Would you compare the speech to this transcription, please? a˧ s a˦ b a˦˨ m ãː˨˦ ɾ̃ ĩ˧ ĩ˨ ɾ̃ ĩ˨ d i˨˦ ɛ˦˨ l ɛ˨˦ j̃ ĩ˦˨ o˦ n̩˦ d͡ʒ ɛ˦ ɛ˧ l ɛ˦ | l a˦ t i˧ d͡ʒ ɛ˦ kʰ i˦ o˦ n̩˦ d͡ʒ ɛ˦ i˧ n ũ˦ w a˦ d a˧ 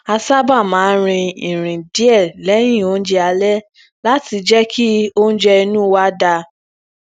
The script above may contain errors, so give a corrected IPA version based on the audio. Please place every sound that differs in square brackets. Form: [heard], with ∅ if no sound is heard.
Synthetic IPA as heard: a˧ s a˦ b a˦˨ m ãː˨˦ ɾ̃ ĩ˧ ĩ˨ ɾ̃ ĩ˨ d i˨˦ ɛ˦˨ l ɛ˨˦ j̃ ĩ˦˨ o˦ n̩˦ d͡ʒ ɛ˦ [a˧] l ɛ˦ | l a˦ t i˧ d͡ʒ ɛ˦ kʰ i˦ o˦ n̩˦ d͡ʒ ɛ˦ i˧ n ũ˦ w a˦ d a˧